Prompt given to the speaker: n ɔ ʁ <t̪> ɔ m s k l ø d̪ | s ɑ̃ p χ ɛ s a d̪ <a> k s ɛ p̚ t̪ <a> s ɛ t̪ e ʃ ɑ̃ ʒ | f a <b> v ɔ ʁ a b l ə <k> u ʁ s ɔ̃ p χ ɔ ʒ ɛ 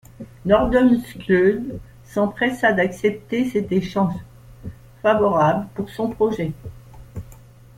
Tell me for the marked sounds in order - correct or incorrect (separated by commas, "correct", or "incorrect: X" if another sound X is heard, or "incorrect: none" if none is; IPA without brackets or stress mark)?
incorrect: d̪, correct, incorrect: e, incorrect: none, incorrect: p